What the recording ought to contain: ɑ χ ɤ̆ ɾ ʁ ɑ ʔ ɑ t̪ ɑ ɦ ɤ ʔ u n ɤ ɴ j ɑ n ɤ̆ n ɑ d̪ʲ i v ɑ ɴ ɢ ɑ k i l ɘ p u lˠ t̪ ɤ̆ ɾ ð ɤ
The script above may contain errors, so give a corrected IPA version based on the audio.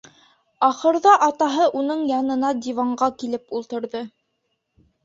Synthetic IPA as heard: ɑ χ ɤ̆ ɾ ð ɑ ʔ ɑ t̪ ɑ ɦ ɤ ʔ u n ɤ ɴ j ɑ n ɤ̆ n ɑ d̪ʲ i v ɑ ɴ ɢ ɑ k i l ɘ p u lˠ t̪ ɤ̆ ɾ ð ɤ